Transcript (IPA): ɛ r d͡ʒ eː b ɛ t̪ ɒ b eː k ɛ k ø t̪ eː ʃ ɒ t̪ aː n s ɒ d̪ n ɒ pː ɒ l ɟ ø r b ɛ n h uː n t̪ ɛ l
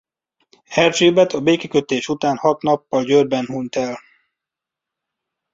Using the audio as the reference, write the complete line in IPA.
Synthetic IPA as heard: ɛ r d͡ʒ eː b ɛ t̪ ɒ b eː k ɛ k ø t̪ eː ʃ u t̪ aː n h ɒ t̪ n ɒ pː ɒ l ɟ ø r b ɛ n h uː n t̪ ɛ l